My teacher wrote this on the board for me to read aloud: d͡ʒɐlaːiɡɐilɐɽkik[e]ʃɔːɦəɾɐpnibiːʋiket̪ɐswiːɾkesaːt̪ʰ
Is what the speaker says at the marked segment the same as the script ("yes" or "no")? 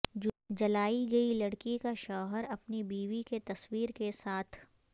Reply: no